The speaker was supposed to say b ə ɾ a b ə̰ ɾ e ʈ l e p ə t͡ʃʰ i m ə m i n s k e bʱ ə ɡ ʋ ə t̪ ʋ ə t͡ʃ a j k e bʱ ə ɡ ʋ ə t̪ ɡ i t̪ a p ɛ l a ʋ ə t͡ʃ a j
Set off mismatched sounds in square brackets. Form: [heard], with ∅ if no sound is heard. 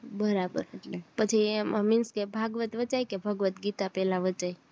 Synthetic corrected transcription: b ə ɾ a b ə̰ ɾ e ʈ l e p ə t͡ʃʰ i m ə m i n s k e bʱ [a] ɡ ʋ ə t̪ ʋ ə t͡ʃ a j k e bʱ ə ɡ ʋ ə t̪ ɡ i t̪ a p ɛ l a ʋ ə t͡ʃ a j